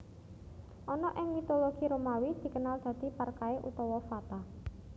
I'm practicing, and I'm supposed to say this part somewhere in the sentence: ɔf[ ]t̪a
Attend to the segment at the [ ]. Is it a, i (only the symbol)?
a